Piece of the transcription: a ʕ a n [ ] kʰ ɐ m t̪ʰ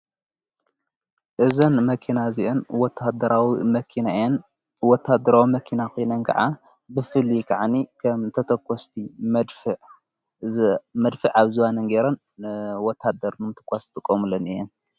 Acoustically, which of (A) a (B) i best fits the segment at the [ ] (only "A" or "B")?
B